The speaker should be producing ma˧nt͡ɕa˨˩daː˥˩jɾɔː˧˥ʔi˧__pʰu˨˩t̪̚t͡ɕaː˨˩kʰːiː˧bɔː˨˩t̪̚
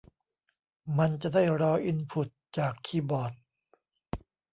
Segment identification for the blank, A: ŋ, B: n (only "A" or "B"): B